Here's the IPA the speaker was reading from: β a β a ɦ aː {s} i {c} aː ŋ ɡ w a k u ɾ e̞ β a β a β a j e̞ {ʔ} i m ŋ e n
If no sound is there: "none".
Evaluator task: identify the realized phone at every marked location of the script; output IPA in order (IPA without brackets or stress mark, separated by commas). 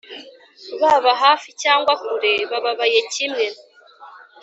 f, c, c